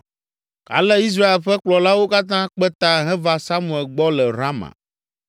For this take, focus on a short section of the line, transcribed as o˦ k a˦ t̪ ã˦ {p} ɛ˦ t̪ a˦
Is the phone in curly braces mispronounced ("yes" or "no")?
yes